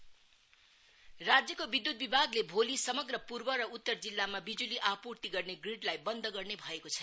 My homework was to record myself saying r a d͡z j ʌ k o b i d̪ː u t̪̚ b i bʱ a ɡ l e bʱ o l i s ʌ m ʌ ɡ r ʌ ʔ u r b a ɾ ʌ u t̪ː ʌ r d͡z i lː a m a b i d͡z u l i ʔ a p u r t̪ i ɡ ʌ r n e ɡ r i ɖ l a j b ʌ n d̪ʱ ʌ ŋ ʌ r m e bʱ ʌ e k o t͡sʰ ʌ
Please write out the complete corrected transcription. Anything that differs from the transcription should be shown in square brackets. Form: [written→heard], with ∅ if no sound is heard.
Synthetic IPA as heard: r a d͡z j ʌ k o b i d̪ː u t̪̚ b i bʱ a ɡ l e bʱ o l i s ʌ m ʌ ɡ r ʌ [ʔ→p] u r b [a→ʌ] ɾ ʌ u t̪ː ʌ r d͡z i lː a m a b i d͡z u l i ʔ a p u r t̪ i ɡ ʌ r n e ɡ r i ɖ l a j b ʌ n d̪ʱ ʌ [ŋ→ɡ] ʌ r [m→n] e bʱ ʌ e k o t͡sʰ ʌ